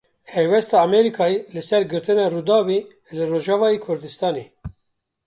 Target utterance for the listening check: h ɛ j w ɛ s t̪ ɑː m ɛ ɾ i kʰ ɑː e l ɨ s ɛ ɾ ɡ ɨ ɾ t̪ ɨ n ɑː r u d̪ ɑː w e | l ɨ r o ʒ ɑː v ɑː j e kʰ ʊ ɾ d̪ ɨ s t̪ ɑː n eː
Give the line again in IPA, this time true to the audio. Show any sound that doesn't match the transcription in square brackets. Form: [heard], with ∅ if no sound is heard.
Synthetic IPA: h ɛ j w ɛ s t̪ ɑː m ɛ ɾ i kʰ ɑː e l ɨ s ɛ ɾ ɡ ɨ ɾ t̪ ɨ n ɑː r u d̪ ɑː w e | l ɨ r o ʒ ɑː v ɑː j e kʰ ʊ ɾ d̪ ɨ s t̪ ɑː n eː